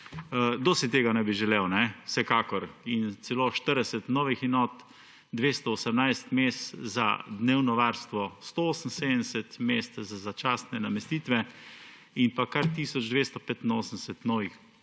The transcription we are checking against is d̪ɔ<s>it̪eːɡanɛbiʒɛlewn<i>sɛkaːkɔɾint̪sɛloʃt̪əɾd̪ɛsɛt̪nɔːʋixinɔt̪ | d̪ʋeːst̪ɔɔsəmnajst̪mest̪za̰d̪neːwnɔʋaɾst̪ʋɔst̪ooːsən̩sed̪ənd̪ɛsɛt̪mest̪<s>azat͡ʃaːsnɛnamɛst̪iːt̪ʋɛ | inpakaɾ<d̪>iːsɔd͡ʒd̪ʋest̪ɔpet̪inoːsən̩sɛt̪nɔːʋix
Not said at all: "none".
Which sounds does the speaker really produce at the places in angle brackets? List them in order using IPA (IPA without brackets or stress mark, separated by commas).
s, ɛ, z, t̪